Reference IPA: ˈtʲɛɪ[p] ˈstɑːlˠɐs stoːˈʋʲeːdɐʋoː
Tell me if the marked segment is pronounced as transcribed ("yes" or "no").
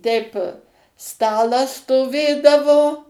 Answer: yes